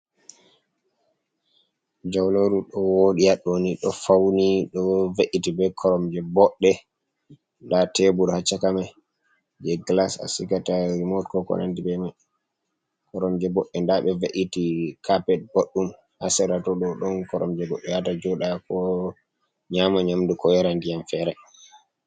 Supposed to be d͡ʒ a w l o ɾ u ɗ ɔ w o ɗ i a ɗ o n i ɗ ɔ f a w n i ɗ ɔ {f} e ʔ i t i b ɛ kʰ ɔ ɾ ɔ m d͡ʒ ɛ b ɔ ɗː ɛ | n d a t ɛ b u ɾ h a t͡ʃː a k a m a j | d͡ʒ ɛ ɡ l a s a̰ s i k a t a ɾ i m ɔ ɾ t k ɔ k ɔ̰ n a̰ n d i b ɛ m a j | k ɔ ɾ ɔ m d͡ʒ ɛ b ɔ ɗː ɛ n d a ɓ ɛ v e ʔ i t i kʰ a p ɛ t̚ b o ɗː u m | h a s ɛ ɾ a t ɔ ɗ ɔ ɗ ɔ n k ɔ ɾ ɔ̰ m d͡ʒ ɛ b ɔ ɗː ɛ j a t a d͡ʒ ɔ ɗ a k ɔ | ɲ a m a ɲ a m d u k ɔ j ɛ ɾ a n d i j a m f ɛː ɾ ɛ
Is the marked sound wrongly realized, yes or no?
yes